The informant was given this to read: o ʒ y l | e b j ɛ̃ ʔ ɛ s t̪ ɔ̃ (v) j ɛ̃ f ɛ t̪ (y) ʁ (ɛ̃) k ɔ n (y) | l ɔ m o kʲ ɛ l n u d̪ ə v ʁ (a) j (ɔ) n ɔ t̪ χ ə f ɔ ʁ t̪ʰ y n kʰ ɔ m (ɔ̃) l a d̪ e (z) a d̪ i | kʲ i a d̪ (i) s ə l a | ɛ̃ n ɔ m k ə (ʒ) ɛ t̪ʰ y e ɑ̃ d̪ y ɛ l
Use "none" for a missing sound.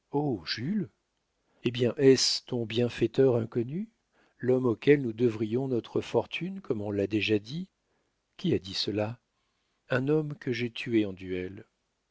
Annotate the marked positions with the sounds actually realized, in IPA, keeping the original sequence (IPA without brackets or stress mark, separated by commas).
b, œ, ɛ̃, y, i, ɔ̃, ɔ̃, ʒ, i, ʒ